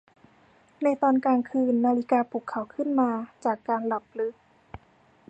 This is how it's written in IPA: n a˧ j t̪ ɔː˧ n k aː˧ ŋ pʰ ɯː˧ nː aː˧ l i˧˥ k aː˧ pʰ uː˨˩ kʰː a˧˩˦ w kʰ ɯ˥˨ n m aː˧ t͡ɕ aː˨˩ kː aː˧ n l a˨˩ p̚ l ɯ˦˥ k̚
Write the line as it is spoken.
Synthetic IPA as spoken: n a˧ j t̪ ɔː˧ n k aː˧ ŋ kʰ ɯː˧ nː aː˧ l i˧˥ k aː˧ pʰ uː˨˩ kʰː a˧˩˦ w kʰ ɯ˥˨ n m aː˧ t͡ɕ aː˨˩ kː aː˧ n l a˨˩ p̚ l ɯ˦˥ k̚